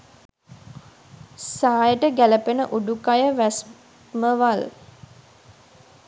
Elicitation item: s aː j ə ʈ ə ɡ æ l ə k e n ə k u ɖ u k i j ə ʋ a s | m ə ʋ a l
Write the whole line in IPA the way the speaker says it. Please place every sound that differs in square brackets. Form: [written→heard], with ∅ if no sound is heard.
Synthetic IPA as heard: s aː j ə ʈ ə ɡ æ l ə [k→p] e n ə [k→ʔ] u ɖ u k [i→a] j ə ʋ [a→æ] s | m ə ʋ a l